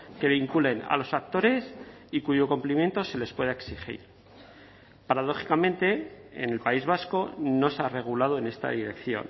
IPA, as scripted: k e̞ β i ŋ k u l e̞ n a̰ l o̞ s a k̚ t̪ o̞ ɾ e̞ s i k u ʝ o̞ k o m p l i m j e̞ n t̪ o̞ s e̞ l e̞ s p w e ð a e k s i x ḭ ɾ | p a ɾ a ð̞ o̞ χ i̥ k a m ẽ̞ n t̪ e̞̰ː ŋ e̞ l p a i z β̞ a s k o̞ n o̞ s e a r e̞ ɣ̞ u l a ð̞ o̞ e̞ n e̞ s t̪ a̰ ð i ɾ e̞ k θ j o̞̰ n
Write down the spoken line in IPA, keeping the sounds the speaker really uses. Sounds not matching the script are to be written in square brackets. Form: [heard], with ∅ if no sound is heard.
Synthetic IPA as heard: k e̞ β i ŋ k u l e̞ n a̰ l o̞ s a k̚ t̪ o̞ ɾ e̞ s i k u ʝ o̞ k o m p l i m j e̞ n t̪ o̞ s e̞ l e̞ s p w e ð a e k s i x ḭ ɾ | p a ɾ a ð̞ o̞ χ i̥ k a m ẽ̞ n t̪ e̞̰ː [n] e̞ l p a i z β̞ a s k o̞ n o̞ s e a r e̞ ɣ̞ u l a ð̞ o̞ e̞ n e̞ s t̪ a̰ ð i ɾ e̞ k θ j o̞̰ n